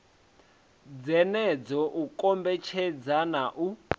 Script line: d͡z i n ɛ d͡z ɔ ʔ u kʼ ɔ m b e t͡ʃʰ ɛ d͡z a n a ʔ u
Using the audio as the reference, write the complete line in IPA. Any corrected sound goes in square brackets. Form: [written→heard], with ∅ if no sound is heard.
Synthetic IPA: d͡z [i→ɛ] n ɛ d͡z ɔ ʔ u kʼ ɔ m b [e→ɛ] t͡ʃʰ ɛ d͡z a n a ʔ u

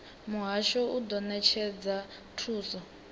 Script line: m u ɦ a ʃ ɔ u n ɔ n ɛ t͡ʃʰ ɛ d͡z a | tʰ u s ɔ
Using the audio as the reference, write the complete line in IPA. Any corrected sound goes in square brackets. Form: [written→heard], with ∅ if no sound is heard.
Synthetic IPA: m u ɦ a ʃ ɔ u [n→d] ɔ n ɛ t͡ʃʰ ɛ d͡z a | tʰ [u→uː] s ɔ

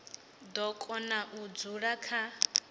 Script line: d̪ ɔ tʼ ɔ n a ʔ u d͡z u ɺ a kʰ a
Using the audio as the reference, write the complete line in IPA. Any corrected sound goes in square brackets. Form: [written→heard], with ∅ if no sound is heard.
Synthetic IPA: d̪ ɔ [tʼ→kʼ] ɔ n a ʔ u d͡z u ɺ a kʰ a

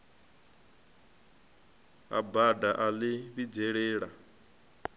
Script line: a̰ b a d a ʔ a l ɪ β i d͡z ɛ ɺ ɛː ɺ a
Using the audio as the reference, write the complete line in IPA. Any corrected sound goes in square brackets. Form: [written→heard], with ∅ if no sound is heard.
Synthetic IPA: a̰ b a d a ʔ a l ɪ β i d͡z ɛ ɺ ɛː ɺ a

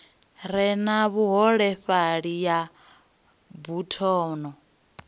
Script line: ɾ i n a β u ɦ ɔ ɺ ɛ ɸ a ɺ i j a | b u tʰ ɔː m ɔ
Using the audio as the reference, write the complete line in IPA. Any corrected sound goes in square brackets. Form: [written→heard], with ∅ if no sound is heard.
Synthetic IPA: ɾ [i→ɛ] n a β u ɦ ɔ ɺ ɛ ɸ a ɺ i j a | b u tʰ ɔː [m→n] ɔ

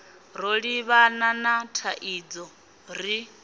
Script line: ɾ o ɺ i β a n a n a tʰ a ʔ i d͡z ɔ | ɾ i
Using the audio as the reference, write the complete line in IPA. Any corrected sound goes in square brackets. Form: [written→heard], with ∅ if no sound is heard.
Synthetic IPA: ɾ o ɺ i β a n a n a tʰ a ʔ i d͡z ɔ | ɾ i

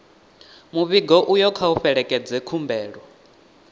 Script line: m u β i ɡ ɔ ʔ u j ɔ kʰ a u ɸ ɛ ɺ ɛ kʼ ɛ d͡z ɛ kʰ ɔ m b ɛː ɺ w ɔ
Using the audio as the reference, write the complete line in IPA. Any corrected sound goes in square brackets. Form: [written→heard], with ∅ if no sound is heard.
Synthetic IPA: m u β i ɡ ɔ ʔ u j ɔ kʰ a u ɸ ɛ ɺ ɛ kʼ ɛ d͡z ɛ kʰ [ɔ→u] m b ɛː ɺ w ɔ

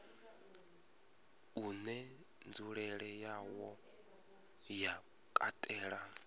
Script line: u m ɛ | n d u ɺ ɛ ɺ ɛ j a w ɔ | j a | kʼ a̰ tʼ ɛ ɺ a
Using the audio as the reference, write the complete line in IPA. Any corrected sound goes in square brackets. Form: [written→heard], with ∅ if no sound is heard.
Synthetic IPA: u [m→n] ɛ | n [d→d͡z] u ɺ ɛ ɺ ɛ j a w ɔ | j a | kʼ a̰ tʼ [ɛ→ɛː] ɺ a

